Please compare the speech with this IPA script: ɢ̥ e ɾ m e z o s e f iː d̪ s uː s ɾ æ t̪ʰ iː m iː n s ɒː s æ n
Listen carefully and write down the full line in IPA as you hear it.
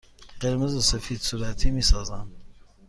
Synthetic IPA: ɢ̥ e ɾ m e z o s e f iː d̪ s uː ɾ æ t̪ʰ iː m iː s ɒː z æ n